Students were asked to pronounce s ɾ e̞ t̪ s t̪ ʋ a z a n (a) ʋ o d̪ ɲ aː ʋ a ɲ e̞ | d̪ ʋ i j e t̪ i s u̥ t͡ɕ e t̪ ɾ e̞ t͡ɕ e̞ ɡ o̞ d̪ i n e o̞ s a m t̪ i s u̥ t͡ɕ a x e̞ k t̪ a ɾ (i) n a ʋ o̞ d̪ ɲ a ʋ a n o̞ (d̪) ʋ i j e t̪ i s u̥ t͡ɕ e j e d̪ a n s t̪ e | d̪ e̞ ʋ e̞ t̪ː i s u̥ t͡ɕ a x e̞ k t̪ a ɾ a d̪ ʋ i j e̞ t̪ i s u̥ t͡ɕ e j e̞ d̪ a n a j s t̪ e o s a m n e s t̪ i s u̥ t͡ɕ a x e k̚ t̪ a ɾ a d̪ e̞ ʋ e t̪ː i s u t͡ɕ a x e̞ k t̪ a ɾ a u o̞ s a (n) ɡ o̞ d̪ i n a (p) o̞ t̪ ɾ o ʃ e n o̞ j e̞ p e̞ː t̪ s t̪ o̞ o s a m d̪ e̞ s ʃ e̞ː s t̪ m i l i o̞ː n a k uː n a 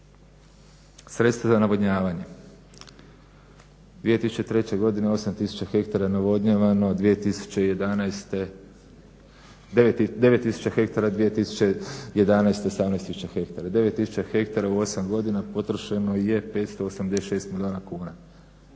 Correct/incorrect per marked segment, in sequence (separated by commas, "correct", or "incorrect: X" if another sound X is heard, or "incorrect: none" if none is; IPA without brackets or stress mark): correct, incorrect: a, correct, incorrect: m, correct